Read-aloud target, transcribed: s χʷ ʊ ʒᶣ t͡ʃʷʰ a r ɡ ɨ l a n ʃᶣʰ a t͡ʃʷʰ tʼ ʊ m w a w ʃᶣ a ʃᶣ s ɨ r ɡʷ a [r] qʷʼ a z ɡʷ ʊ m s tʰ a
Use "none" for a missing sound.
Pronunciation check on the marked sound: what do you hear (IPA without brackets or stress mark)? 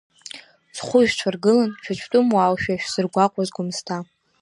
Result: none